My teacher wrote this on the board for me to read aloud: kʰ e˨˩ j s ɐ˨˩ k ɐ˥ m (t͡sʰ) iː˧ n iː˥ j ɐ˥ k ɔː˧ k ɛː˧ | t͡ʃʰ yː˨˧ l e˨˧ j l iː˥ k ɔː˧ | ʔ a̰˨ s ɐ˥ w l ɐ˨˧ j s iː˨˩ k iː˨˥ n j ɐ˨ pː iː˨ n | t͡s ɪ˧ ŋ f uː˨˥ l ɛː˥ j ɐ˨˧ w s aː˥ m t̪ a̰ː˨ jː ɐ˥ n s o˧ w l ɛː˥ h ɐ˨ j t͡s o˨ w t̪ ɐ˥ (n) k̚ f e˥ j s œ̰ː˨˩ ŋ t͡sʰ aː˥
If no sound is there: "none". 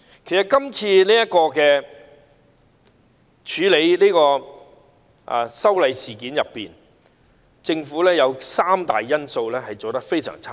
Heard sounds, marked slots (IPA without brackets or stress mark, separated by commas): t͡sʰ, none